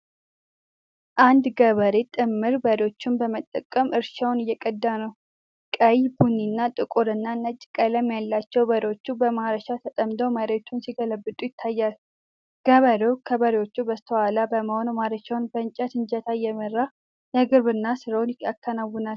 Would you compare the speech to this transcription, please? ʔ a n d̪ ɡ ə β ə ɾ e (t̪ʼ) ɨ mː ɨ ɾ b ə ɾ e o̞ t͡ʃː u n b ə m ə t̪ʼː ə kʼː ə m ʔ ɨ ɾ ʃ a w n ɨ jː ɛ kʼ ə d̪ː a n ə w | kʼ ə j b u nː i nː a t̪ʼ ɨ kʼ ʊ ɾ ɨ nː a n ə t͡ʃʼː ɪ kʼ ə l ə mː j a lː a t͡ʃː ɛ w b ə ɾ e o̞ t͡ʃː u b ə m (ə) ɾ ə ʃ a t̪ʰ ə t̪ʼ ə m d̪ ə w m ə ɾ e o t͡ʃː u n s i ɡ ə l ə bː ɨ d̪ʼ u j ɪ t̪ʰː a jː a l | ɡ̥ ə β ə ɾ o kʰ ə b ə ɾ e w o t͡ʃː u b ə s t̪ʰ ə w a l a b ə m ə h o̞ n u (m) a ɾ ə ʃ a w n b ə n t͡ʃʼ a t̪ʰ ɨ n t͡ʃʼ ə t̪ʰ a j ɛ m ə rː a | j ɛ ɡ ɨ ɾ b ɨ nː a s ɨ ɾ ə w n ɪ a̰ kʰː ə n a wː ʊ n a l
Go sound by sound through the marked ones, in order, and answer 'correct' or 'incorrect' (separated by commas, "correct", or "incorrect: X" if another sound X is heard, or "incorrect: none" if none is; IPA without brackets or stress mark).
correct, incorrect: a, correct